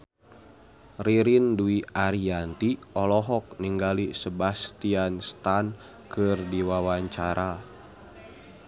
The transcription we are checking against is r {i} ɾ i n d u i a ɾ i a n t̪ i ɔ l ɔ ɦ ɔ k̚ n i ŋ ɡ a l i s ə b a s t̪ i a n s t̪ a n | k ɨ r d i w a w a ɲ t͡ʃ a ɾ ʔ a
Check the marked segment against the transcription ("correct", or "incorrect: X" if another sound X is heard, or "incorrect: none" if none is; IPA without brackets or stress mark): correct